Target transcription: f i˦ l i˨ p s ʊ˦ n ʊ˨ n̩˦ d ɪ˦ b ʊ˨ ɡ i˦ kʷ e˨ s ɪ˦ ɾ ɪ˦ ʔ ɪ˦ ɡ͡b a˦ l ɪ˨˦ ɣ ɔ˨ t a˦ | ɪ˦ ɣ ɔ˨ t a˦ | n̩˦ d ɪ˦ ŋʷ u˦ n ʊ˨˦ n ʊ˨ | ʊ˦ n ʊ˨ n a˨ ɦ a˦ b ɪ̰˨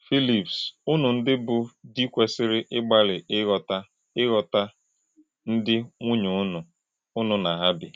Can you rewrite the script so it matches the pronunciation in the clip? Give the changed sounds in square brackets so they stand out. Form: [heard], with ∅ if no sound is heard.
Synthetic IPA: f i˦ l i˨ p s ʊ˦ n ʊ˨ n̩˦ d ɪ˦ b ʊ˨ [d] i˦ kʷ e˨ s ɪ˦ ɾ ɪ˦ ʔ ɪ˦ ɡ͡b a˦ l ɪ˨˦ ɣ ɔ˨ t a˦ | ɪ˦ ɣ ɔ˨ t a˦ | n̩˦ d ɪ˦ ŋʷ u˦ [ɲ] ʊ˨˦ n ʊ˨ | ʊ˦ n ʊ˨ n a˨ ɦ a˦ b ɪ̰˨